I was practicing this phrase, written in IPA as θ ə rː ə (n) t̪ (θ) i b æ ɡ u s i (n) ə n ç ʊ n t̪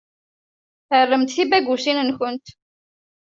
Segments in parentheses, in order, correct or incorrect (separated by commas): incorrect, correct, correct